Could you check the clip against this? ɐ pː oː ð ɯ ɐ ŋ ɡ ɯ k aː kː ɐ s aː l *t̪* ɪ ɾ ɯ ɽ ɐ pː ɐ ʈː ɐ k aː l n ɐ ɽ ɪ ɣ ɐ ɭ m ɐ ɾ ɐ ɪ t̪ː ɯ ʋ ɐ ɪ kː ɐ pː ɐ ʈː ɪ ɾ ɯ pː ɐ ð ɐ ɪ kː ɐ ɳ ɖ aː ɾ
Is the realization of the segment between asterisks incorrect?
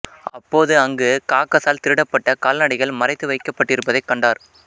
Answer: no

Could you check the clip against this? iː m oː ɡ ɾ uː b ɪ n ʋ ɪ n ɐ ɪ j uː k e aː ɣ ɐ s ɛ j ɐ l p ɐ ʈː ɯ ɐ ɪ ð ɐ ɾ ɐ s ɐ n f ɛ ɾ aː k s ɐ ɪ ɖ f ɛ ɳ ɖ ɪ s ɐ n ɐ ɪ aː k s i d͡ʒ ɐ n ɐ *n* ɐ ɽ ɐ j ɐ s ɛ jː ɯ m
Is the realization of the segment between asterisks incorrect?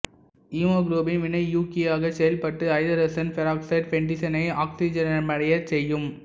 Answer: yes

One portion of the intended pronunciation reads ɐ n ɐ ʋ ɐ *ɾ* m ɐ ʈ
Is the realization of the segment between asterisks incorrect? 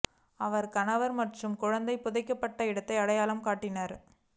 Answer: no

